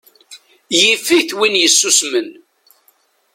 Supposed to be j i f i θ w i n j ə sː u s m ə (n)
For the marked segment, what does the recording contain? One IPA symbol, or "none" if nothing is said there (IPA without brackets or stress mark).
n